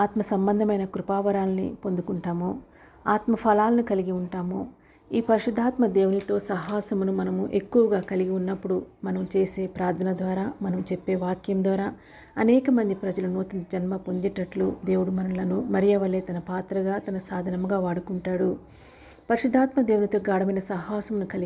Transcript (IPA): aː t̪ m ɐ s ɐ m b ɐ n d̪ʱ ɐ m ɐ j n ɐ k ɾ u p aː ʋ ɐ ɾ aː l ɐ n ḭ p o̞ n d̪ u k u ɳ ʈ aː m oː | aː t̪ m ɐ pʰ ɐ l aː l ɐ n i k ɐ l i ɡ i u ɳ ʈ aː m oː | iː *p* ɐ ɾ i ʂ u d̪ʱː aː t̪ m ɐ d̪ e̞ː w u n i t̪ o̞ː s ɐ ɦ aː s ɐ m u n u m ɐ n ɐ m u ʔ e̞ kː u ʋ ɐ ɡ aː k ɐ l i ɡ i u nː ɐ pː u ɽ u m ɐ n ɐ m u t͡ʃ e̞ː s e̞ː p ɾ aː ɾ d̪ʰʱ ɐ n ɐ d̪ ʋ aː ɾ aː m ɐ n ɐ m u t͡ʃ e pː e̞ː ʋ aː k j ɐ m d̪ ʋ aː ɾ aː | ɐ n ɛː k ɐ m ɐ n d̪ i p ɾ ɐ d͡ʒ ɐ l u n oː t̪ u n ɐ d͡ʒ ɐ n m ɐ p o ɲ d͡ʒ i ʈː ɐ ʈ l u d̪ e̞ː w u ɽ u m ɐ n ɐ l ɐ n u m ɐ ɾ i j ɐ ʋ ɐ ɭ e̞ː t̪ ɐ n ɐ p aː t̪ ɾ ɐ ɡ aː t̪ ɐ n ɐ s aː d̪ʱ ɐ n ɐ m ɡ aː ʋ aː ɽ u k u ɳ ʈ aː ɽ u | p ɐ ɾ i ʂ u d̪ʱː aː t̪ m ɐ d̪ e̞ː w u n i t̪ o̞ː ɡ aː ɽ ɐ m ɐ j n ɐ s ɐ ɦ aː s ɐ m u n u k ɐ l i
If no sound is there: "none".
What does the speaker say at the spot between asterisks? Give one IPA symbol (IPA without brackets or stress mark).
p